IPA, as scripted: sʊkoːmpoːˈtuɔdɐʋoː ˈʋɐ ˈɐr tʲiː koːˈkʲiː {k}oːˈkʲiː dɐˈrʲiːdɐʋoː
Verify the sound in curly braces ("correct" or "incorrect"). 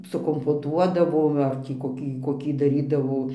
correct